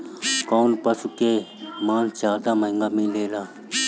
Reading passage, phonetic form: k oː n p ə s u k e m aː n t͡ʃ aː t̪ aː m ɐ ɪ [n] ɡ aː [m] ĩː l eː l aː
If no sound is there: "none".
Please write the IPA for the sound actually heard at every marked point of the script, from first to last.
ŋ, m

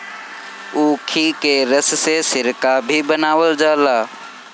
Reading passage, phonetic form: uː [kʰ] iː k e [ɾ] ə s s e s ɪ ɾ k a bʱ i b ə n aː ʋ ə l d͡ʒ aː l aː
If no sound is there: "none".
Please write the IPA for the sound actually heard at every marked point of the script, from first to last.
kʰ, ɾ

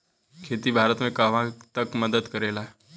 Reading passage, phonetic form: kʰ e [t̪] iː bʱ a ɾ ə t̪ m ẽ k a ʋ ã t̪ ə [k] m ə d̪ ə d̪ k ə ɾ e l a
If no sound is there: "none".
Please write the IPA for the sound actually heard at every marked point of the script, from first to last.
t̪, k

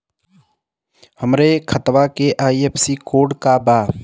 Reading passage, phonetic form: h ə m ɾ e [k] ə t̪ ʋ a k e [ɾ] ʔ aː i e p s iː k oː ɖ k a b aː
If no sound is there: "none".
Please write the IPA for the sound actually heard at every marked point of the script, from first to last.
kʰ, none

